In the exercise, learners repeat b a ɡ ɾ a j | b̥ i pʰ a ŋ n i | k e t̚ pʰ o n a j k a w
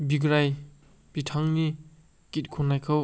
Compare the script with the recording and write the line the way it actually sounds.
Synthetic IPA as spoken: b i ɡ ɾ a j | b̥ i tʰ a ŋ n i | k i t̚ kʰ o n a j kʰ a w

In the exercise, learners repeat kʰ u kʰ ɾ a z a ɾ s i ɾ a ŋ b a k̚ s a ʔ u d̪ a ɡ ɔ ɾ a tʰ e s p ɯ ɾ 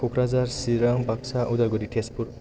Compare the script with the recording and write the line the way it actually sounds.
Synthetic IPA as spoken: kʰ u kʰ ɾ a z a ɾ s i ɾ a ŋ b a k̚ s a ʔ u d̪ a ɡ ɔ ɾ i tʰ e s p u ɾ

